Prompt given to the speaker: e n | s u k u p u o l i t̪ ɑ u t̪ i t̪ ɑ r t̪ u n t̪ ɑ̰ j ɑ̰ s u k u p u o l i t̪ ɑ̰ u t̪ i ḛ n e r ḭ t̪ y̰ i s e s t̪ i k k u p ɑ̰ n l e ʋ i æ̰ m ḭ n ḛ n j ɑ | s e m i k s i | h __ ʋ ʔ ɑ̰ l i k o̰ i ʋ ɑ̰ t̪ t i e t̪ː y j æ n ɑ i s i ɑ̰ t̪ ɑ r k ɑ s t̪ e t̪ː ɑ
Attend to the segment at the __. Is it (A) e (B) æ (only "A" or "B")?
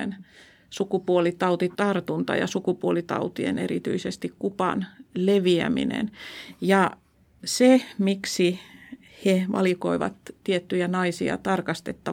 A